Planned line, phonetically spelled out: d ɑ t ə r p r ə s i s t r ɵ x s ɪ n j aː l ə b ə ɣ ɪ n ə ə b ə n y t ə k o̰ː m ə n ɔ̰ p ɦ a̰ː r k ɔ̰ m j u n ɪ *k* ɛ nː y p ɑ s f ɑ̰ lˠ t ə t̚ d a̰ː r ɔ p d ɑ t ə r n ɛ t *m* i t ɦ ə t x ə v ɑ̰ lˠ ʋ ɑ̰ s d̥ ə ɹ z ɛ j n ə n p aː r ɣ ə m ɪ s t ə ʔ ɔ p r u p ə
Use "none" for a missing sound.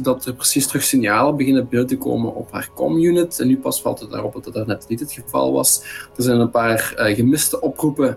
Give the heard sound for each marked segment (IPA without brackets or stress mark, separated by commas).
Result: t, n